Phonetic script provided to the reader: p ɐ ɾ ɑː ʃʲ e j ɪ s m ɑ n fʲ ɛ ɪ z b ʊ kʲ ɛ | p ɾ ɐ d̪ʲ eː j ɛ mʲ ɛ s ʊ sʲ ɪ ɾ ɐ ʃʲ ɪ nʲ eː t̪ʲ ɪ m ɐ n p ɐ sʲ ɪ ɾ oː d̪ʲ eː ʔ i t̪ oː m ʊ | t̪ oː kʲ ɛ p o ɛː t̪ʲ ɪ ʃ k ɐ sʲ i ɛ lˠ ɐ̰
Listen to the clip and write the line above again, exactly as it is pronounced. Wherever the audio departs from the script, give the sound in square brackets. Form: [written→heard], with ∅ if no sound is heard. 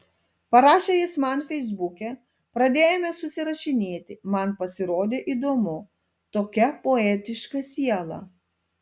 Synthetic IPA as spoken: p ɐ ɾ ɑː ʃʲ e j ɪ s m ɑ n fʲ ɛ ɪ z b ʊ kʲ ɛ | p ɾ ɐ d̪ʲ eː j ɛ mʲ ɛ s ʊ sʲ ɪ ɾ ɐ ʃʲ ɪ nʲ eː t̪ʲ ɪ m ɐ n p ɐ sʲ ɪ ɾ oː d̪ʲ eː ʔ i [t̪→d̪] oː m ʊ | t̪ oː kʲ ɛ p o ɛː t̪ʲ ɪ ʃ k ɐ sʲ i ɛ lˠ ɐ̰